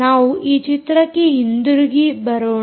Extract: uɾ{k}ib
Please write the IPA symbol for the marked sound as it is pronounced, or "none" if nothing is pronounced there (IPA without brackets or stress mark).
ɡ